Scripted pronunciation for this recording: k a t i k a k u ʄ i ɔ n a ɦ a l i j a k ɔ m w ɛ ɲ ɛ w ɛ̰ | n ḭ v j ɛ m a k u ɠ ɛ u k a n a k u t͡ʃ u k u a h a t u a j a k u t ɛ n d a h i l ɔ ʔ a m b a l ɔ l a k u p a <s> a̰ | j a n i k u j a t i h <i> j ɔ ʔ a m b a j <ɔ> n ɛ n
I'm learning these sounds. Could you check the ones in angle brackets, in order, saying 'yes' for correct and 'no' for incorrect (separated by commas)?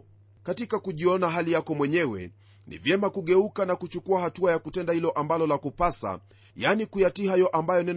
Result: yes, no, yes